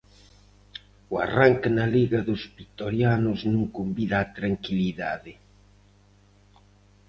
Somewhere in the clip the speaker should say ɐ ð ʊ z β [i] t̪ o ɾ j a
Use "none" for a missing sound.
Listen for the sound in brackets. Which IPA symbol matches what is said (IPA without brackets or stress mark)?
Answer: i